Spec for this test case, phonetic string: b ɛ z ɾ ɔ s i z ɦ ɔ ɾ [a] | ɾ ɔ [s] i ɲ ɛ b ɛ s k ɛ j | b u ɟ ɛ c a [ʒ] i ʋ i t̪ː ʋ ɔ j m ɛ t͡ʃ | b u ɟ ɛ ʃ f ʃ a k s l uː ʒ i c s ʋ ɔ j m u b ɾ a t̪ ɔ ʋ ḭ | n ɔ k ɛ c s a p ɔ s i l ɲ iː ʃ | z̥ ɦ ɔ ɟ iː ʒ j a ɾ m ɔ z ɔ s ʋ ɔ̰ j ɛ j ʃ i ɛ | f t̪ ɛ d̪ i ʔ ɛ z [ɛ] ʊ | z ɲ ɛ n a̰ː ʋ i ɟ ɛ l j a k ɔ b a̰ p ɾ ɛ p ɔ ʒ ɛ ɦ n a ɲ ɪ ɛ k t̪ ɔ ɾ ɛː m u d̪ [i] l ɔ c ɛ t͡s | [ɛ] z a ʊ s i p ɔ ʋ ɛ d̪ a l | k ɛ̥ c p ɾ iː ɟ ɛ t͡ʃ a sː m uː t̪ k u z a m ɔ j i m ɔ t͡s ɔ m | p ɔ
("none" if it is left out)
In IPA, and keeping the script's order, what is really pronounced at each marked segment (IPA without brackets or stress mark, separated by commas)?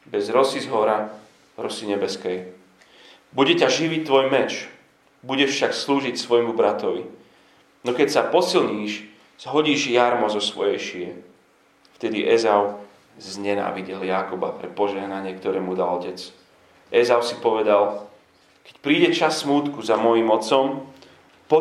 a, s, ʒ, a, a, ɛ